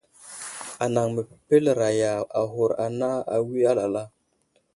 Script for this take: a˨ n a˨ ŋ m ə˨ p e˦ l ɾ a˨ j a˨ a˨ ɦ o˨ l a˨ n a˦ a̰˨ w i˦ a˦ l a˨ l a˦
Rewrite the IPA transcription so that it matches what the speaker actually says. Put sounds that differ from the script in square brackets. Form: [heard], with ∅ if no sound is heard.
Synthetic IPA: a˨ n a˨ ŋ m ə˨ p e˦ l ɾ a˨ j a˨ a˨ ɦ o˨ [ɾ] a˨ n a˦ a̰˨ w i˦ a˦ l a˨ l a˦

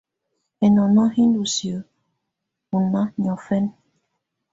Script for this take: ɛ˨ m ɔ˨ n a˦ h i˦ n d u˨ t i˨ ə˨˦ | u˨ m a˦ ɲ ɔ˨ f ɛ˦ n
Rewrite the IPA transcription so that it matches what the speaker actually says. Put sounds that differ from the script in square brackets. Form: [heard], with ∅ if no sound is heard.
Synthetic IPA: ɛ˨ [n] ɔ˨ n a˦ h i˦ n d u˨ [s] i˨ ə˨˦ | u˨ [n] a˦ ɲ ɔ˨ f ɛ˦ n

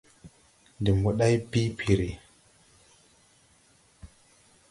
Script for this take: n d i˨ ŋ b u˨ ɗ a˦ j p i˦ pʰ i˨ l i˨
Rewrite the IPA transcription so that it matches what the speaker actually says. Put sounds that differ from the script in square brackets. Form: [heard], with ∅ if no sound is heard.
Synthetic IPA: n d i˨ [m] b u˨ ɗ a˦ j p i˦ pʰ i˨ [ɾ] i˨

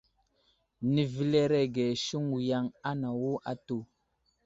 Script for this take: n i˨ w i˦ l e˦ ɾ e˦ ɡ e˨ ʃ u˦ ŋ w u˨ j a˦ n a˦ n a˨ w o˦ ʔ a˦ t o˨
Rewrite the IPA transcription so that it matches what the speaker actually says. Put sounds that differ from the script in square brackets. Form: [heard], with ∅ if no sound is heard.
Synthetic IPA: n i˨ [v] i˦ l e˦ ɾ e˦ ɡ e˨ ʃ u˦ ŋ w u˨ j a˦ [ŋ] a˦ n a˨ w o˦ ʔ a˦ t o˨

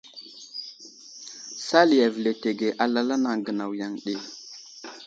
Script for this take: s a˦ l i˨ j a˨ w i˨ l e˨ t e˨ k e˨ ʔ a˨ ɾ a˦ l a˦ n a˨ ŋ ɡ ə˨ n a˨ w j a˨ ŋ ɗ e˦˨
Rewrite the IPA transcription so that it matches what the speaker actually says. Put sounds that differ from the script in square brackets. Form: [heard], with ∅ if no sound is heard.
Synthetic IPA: s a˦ l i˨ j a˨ [v] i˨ l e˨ t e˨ [ɡ] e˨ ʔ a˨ [l] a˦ l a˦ n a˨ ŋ ɡ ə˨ n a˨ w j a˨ ŋ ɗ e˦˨

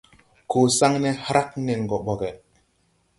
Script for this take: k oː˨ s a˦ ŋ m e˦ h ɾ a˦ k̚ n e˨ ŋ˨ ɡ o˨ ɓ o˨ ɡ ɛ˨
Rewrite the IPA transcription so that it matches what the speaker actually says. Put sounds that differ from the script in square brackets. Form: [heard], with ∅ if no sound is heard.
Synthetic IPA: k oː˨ s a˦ ŋ [n] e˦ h ɾ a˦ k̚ n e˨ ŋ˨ ɡ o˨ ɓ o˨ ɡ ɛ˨

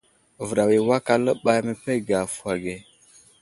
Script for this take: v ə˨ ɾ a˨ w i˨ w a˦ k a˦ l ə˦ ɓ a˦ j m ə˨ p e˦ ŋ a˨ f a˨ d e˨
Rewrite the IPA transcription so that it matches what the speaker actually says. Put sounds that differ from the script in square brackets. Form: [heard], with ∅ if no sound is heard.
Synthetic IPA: v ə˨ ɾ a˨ w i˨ w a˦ k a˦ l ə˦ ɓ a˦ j m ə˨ p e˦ [ɡ] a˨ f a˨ [ɡ] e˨

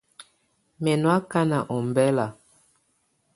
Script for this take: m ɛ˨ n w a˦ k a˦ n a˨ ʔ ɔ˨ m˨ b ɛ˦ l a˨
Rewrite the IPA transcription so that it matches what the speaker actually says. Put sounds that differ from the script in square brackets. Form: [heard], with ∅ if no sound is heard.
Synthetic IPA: m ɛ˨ n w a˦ k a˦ n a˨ ʔ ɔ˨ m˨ b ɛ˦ l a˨

